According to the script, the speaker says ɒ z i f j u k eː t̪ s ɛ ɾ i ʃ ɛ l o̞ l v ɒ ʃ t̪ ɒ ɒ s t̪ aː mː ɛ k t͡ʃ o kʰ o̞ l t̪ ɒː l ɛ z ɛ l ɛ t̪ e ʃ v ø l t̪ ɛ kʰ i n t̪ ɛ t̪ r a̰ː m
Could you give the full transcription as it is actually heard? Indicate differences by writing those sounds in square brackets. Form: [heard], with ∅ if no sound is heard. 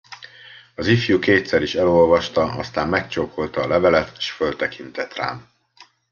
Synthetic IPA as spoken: ɒ z i f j u k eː t̪ s ɛ ɾ i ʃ ɛ l o̞ l v ɒ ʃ t̪ ɒ ɒ s t̪ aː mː ɛ k t͡ʃ o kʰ o̞ l t̪ ɒː l ɛ [v] ɛ l ɛ t̪ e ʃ [f] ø l t̪ ɛ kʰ i n t̪ ɛ t̪ r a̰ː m